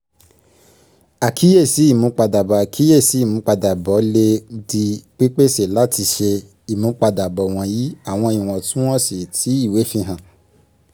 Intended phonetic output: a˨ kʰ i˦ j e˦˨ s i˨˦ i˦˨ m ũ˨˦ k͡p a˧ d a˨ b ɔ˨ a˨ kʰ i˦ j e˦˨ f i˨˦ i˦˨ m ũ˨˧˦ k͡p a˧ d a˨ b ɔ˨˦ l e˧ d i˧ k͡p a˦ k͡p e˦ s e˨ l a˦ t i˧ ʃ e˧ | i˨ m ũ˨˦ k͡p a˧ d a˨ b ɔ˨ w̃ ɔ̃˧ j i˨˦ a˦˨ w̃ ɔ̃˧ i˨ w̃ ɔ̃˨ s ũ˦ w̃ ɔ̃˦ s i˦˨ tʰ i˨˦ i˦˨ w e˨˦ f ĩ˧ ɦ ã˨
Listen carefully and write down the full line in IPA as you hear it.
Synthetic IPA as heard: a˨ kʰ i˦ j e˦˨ s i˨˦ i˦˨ m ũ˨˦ k͡p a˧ d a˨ b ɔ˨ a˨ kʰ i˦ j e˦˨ s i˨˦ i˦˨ m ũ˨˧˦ k͡p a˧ d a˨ b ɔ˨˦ l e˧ d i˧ k͡p i˦ k͡p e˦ s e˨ l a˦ t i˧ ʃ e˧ | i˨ m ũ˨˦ k͡p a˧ d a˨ b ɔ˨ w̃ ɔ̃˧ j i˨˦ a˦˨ w̃ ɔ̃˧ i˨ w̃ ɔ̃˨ t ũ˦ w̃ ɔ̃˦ s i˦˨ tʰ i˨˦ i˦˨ w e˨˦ f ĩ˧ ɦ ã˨